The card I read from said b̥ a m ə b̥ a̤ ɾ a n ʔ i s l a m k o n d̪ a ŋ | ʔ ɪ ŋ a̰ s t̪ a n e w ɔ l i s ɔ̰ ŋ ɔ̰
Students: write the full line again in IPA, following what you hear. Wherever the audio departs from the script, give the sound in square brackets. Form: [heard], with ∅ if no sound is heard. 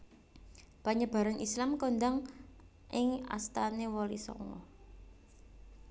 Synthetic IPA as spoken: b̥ a [ɲ] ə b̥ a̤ ɾ a n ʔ i s l a m k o n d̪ a ŋ | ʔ ɪ ŋ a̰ s t̪ a n e w ɔ l i s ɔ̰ ŋ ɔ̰